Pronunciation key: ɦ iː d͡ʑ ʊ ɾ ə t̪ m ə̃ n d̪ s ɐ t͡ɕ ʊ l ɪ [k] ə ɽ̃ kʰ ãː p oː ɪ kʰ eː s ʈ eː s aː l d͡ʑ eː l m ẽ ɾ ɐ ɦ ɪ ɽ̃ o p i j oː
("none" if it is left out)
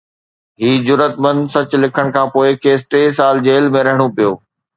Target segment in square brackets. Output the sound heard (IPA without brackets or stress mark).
kʰ